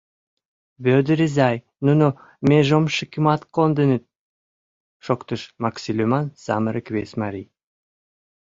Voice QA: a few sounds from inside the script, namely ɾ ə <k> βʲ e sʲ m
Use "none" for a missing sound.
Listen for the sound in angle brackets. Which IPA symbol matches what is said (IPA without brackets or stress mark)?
k